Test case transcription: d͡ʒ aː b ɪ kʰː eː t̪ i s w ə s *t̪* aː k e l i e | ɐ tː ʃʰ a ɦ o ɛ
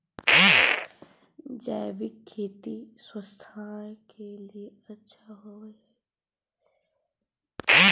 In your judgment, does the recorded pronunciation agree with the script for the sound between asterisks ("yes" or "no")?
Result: no